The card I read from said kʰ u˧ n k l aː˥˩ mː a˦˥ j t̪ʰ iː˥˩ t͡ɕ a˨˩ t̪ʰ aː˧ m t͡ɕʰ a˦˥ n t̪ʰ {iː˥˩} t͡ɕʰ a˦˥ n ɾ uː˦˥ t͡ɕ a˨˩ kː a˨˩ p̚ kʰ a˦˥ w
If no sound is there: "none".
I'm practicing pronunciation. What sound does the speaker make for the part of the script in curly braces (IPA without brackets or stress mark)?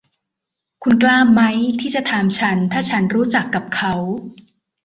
aː˥˩